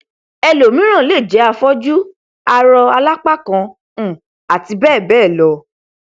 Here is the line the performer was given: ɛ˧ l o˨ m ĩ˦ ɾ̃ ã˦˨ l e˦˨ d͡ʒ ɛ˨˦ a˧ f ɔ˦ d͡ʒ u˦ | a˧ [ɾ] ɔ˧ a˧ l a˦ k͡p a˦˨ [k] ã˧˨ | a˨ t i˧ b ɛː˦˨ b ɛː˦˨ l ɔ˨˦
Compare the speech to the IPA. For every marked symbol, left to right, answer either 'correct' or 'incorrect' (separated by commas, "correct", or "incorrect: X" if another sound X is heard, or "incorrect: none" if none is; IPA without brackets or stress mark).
correct, correct